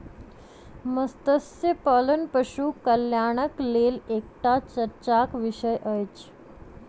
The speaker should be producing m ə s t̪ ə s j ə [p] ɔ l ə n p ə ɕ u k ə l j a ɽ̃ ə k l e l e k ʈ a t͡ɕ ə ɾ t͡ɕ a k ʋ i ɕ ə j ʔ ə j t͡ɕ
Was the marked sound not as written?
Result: no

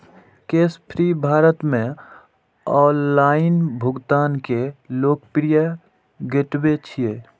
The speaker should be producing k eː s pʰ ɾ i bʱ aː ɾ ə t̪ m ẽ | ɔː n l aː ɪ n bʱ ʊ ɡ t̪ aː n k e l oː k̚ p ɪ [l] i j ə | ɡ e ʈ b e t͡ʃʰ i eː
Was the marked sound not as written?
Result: yes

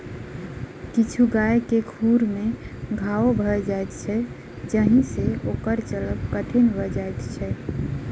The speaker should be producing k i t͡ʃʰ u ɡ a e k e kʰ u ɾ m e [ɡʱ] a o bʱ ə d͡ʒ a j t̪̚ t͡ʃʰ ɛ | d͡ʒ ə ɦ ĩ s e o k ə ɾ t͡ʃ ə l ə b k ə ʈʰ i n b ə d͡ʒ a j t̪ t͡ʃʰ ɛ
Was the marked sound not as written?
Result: no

